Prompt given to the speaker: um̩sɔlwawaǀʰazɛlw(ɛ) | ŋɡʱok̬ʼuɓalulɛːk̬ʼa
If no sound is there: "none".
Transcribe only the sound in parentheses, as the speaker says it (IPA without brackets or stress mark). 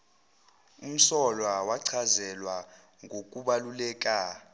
a